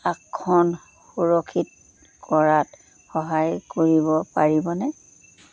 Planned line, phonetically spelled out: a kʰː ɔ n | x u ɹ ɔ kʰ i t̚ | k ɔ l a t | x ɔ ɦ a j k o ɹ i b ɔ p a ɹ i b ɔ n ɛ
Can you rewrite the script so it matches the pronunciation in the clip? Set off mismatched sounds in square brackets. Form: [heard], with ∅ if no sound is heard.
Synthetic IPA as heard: a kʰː ɔ n | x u ɹ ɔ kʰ i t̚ | k ɔ [ɹ] a t | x ɔ ɦ a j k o ɹ i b ɔ p a ɹ i b ɔ n ɛ